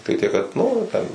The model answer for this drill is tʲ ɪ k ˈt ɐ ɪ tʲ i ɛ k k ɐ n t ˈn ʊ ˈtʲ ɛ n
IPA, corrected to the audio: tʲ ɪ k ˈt ɐ ɪ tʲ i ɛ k k ɐ t ˈn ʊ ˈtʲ ɛ n